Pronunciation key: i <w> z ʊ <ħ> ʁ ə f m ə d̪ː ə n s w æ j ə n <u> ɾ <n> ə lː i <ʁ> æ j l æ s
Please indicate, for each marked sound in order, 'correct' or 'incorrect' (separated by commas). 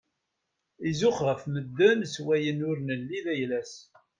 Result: incorrect, incorrect, incorrect, correct, incorrect